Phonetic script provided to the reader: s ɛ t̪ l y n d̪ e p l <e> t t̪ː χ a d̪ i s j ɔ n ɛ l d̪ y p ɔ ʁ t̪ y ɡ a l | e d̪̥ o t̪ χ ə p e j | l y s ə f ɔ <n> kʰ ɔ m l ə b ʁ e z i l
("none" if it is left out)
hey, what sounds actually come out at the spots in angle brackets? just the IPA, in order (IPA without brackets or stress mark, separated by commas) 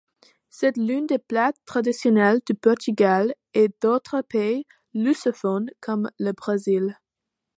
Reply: a, n